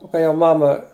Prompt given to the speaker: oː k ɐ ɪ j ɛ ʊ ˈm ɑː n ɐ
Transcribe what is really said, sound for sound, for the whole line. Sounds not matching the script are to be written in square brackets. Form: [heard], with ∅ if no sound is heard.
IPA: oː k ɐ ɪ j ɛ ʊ ˈm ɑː [m] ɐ